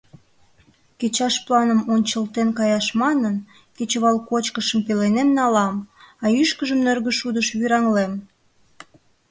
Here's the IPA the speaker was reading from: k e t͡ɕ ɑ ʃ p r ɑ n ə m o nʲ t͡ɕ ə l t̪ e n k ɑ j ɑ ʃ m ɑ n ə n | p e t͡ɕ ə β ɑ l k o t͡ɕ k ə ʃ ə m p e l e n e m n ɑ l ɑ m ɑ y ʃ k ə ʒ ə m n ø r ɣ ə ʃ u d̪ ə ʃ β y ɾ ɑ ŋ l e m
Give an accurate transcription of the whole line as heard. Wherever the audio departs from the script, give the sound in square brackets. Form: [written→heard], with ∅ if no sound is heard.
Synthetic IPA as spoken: k e t͡ɕ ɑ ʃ p [r→l] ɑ n ə m o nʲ t͡ɕ ə l t̪ e n k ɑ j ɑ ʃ m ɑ n ə n | [p→k] e t͡ɕ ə β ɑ l k o t͡ɕ k ə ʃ ə m p e l e n e m n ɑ l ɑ m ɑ y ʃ k ə ʒ ə m n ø r ɣ ə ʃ u d̪ ə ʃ β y ɾ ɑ ŋ l e m